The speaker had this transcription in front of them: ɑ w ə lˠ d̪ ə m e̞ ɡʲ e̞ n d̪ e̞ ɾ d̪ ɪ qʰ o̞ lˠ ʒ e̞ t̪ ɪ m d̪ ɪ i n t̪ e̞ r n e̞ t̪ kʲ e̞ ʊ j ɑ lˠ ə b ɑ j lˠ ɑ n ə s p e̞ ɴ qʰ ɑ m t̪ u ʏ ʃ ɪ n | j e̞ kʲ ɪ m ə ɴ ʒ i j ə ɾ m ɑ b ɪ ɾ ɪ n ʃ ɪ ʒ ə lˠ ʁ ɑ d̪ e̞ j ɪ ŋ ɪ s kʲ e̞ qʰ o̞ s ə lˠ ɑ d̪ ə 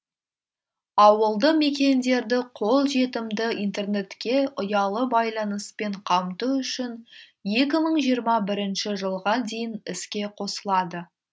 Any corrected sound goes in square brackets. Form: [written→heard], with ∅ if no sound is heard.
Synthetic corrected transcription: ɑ w ə lˠ d̪ ə m e̞ [ɡʲ→kʲ] e̞ n d̪ e̞ ɾ d̪ ɪ qʰ o̞ lˠ ʒ e̞ t̪ ɪ m d̪ ɪ i n t̪ e̞ r n e̞ t̪ kʲ e̞ ʊ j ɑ lˠ ə b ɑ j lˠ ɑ n ə s p e̞ ɴ qʰ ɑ m t̪ u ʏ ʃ ɪ n | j e̞ kʲ ɪ m ə ɴ ʒ i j ə ɾ m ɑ b ɪ ɾ ɪ n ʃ ɪ ʒ ə lˠ ʁ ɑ d̪ e̞ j ɪ [ŋ→n] ɪ s kʲ e̞ qʰ o̞ s ə lˠ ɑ d̪ ə